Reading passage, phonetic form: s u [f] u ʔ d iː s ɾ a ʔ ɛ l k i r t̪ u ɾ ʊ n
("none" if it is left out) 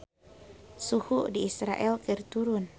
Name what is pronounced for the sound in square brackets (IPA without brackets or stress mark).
h